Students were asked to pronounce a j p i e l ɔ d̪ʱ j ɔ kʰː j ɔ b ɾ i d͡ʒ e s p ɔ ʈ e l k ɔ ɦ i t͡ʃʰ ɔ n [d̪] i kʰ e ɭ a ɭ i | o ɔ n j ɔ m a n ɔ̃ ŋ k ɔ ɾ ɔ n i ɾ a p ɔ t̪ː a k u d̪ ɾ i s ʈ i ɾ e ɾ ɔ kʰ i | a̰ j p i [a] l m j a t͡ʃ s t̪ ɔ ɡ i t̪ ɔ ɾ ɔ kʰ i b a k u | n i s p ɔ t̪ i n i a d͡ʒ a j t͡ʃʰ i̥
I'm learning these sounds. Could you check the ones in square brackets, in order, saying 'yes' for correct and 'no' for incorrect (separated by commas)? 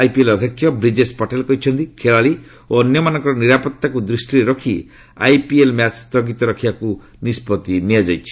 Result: no, no